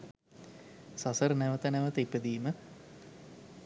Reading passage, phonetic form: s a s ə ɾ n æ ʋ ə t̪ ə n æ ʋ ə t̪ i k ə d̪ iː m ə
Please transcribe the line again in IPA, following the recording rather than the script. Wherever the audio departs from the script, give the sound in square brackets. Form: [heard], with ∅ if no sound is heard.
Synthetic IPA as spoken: s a s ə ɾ n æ ʋ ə t̪ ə n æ ʋ ə t̪ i [p] ə d̪ iː m ə